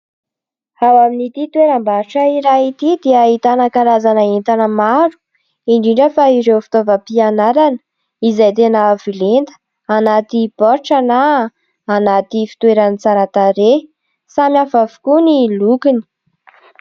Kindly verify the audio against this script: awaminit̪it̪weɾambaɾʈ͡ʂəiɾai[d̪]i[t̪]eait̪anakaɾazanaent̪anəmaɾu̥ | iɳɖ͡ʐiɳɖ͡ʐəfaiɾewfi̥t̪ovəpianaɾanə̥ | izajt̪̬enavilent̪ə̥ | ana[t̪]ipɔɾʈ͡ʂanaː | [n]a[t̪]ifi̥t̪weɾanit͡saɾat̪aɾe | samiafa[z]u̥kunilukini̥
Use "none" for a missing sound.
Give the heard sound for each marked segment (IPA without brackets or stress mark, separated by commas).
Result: t̪, d̪, t̪, n, t̪, v